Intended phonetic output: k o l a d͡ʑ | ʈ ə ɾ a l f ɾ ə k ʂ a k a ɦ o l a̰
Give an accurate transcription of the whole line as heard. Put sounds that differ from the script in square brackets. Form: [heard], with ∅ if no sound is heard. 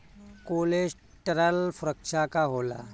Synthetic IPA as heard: k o l [e] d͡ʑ | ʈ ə ɾ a l f ɾ ə k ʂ a k a ɦ o l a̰